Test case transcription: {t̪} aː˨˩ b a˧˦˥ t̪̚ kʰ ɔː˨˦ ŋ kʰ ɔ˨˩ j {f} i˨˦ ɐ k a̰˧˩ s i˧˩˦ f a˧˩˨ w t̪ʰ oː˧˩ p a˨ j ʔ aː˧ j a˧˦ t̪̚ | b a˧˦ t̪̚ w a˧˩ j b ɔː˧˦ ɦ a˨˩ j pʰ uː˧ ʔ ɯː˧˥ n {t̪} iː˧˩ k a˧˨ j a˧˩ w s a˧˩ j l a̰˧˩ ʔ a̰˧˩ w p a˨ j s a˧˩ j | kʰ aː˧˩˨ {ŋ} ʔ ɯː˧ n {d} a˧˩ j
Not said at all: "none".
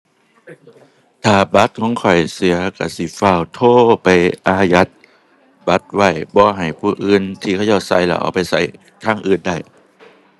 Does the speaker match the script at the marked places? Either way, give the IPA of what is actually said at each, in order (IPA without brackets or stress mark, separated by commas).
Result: t̪ʰ, s, t̪ʰ, ŋ, d